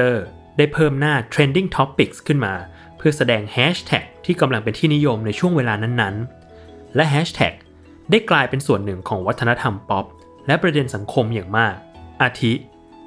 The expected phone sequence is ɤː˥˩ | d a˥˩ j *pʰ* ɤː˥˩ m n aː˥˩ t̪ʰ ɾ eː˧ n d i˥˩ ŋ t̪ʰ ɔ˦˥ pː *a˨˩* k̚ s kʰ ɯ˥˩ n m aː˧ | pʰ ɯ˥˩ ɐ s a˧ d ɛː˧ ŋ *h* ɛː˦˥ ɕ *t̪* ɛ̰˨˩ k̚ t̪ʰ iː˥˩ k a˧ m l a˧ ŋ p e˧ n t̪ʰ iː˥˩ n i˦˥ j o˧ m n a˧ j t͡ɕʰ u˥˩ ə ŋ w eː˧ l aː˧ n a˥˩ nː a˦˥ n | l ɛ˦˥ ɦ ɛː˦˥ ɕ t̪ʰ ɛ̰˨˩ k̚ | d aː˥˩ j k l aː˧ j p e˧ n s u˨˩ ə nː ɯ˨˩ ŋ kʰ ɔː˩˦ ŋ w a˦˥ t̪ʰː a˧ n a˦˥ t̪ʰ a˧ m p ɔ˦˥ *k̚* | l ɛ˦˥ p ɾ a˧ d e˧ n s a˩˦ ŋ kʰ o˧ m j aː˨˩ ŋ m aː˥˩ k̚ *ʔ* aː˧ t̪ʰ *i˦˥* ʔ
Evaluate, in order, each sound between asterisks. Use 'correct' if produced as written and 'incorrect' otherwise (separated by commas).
correct, incorrect, correct, incorrect, incorrect, correct, correct